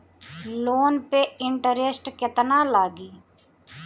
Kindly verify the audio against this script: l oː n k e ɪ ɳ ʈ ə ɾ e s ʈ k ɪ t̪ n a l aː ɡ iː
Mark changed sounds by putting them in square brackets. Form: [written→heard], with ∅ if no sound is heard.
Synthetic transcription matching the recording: l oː n [k→p] e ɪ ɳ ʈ ə ɾ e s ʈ k ɪ t̪ n a l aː ɡ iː